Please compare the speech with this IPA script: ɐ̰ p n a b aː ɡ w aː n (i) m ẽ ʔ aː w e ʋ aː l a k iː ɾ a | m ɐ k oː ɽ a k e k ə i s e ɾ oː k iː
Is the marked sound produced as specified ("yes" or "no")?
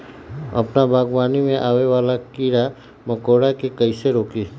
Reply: yes